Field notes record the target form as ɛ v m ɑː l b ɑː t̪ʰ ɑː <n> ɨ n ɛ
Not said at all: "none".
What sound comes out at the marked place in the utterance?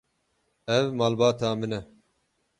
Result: m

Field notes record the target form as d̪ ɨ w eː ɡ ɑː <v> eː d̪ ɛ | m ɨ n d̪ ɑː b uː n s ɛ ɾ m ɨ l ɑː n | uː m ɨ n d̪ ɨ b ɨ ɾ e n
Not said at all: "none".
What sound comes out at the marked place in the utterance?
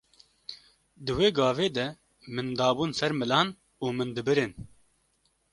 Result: v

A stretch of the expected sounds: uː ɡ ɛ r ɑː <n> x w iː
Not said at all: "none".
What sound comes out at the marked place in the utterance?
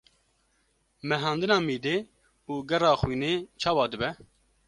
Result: none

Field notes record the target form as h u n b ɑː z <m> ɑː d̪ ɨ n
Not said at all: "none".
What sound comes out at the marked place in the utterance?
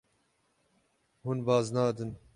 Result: n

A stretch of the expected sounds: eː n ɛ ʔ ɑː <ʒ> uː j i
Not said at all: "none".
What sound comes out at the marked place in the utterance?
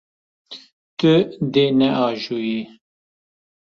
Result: ʒ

